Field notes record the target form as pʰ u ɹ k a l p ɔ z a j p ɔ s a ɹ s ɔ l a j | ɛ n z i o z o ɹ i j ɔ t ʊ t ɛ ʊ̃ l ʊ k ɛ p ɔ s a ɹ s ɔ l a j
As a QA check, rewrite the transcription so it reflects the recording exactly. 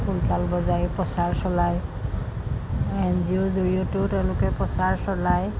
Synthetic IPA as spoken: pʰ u l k a l b ɔ z a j p ɔ s a ɹ s ɔ l a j | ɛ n z i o z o ɹ i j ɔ t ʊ t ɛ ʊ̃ l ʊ k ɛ p ɔ s a ɹ s ɔ l a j